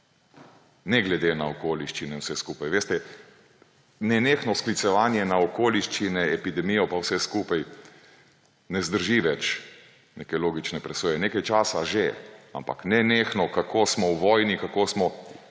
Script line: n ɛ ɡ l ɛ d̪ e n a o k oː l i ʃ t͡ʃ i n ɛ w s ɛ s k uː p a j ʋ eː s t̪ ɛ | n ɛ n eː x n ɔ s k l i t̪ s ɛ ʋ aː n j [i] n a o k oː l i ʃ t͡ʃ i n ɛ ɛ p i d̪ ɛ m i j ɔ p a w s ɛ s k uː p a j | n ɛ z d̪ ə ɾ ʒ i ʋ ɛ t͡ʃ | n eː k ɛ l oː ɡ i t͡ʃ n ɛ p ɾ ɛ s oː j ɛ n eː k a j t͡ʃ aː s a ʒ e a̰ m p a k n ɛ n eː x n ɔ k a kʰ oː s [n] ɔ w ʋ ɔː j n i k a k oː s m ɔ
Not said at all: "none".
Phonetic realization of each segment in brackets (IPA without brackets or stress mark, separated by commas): ɛ, m